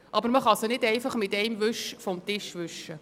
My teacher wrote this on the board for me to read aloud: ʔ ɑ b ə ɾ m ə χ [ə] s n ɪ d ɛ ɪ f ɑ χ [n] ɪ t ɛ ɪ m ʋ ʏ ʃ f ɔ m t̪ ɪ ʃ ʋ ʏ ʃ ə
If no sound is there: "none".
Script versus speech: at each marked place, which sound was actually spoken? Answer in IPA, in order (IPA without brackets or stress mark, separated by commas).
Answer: ɑ, m